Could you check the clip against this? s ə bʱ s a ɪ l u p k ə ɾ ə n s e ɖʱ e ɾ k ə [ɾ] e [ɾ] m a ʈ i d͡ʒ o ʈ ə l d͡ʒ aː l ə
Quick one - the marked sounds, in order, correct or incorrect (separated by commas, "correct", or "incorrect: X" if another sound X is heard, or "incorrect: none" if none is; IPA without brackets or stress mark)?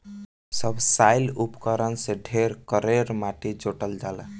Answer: correct, correct